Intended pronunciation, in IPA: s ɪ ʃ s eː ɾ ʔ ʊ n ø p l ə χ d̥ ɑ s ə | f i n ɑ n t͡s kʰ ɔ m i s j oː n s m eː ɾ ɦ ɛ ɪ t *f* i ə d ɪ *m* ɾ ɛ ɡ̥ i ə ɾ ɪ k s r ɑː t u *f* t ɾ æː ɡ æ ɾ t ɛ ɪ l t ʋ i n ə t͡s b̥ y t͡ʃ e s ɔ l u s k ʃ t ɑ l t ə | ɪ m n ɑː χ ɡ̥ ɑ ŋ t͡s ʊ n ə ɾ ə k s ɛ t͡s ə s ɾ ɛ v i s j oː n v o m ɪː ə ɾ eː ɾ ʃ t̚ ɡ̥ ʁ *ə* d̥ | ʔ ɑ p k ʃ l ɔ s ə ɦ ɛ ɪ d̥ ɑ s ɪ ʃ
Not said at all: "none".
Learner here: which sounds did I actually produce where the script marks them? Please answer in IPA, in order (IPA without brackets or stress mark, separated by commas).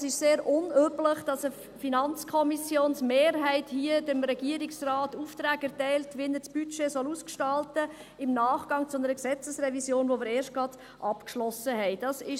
h, m, f, ɑ